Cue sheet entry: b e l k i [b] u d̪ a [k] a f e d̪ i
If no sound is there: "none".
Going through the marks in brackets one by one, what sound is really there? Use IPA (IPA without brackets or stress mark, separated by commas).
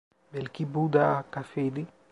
b, k